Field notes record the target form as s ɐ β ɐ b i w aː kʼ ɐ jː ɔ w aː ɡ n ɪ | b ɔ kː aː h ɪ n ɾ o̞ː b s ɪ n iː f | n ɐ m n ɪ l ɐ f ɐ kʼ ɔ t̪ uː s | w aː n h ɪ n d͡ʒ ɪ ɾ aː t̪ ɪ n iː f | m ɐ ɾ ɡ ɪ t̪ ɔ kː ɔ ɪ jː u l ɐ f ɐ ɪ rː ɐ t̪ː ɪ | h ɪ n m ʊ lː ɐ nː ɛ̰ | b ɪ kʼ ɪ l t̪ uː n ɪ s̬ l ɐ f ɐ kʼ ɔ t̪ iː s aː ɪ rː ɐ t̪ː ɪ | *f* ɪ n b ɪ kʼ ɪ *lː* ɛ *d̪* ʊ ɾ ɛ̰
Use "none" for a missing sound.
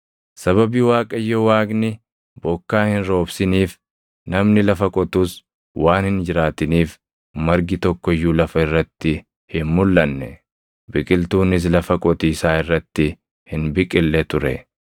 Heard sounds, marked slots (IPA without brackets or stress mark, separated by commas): h, lː, t̪